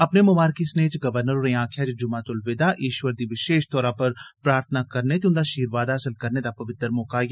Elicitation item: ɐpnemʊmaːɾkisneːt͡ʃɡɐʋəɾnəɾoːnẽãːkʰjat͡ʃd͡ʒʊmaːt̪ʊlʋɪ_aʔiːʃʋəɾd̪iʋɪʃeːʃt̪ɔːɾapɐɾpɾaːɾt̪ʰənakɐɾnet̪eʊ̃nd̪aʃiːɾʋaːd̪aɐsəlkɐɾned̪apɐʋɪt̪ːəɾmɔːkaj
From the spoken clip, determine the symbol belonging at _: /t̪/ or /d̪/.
d̪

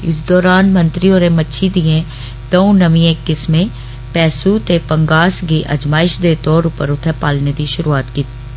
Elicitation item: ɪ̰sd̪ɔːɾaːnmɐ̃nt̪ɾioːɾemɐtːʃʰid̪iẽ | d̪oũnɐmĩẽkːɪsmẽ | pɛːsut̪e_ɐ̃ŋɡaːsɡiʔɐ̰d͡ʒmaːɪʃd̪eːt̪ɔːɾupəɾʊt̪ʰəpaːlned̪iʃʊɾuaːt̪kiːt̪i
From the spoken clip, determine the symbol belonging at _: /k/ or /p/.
p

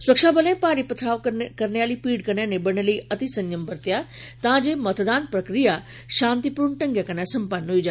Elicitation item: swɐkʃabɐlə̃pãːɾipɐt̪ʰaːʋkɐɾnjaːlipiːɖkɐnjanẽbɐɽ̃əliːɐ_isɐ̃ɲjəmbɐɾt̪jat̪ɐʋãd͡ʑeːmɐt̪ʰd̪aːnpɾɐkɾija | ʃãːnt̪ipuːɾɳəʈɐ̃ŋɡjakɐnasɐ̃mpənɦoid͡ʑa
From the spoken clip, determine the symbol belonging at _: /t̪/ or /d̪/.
t̪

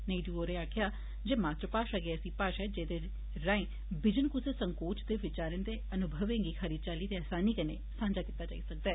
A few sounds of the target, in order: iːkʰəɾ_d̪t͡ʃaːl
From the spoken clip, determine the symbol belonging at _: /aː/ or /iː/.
iː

